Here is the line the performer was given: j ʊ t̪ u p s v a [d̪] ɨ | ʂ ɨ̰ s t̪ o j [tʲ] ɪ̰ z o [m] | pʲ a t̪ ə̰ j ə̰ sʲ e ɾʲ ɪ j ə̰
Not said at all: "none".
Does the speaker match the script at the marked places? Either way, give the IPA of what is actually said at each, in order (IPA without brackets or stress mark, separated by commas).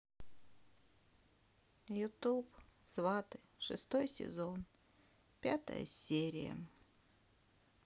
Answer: t̪, sʲ, n